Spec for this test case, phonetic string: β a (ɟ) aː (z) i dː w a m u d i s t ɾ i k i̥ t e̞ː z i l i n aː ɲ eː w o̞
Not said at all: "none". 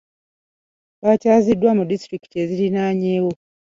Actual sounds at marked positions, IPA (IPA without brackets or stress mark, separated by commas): c, z